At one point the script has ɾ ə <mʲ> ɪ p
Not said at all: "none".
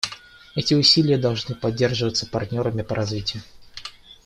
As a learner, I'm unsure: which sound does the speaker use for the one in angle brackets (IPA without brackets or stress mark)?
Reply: mʲ